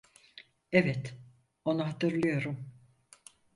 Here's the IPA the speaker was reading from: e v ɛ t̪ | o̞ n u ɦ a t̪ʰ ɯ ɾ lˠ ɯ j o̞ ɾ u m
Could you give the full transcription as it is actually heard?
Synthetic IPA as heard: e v ɛ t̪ | o̞ n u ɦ a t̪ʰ ɯ ɾ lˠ ɯ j o̞ ɾ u m